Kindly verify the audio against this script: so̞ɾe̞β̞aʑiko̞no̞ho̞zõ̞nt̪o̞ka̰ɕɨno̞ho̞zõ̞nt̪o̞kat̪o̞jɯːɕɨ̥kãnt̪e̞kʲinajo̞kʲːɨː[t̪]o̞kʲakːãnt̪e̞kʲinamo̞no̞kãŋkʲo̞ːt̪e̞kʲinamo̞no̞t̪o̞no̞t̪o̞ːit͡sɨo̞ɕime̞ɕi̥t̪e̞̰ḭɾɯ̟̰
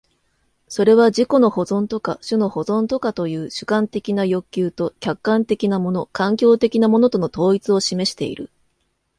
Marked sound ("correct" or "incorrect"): correct